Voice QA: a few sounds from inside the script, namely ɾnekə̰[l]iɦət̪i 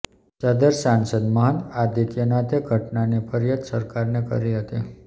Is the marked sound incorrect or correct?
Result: incorrect